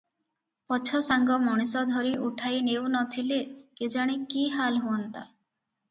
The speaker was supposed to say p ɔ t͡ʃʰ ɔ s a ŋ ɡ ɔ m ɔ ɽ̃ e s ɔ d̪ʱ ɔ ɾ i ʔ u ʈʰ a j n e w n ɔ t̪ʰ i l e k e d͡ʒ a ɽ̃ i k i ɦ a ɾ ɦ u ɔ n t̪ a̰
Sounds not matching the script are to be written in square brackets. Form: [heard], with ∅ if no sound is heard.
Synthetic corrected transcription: p ɔ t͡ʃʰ ɔ s a ŋ ɡ ɔ m ɔ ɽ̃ [i] s ɔ d̪ʱ ɔ ɾ i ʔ u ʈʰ a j n e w n ɔ t̪ʰ i l e k e d͡ʒ a ɽ̃ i k i ɦ a [l] ɦ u ɔ n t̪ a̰